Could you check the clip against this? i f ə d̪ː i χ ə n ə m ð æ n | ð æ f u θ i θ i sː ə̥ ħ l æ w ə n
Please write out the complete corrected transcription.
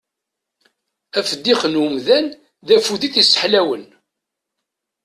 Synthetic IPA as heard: æ f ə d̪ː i χ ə n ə m ð æ n | ð æ f u ð i θ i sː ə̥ ħ l æ w ə n